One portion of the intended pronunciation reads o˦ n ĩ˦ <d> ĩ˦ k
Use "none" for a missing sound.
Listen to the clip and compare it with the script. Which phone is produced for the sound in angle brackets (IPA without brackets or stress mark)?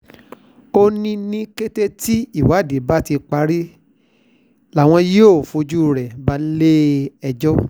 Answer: n